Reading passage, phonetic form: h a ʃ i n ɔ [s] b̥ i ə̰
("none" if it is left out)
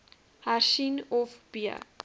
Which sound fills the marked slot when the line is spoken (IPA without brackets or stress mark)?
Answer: f